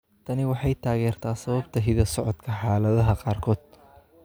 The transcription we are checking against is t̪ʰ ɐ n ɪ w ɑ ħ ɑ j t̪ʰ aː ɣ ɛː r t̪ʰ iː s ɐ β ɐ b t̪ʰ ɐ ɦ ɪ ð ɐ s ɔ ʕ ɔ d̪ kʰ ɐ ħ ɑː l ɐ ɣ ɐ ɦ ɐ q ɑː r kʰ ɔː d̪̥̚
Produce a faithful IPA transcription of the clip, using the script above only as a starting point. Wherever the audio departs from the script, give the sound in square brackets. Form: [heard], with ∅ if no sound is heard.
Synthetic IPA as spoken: t̪ʰ ɐ n ɪ w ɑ ħ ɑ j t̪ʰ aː ɣ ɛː r t̪ʰ [aː] s ɐ β ɐ b t̪ʰ ɐ ɦ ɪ ð ɐ s ɔ ʕ ɔ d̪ kʰ ɐ ħ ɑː l ɐ [ð] ɐ ɦ ɐ q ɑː r kʰ ɔː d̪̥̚